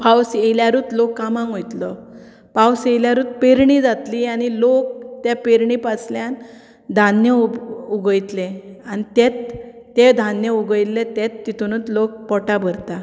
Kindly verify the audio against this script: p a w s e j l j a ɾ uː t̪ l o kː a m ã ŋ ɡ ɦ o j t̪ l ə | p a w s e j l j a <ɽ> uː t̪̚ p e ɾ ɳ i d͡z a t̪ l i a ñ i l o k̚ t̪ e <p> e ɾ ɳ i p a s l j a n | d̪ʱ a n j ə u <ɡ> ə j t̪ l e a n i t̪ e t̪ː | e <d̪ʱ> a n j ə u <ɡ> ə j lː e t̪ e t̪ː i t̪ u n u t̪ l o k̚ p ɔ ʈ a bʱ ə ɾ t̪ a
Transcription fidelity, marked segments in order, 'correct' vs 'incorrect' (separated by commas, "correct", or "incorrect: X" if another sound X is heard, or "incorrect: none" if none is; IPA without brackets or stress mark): incorrect: ɾ, correct, correct, correct, correct